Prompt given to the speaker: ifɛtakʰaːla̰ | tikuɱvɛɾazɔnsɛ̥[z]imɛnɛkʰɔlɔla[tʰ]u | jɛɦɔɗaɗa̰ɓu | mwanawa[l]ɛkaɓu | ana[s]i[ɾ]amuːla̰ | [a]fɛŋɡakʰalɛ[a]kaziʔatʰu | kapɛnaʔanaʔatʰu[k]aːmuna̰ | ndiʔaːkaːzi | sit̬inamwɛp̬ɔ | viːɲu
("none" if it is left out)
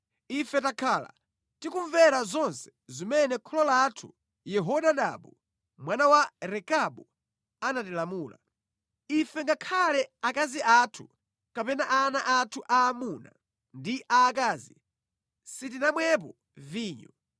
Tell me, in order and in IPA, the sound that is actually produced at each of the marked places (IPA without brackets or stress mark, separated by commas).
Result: z, tʰ, ɾ, t, l, i, a, ʔ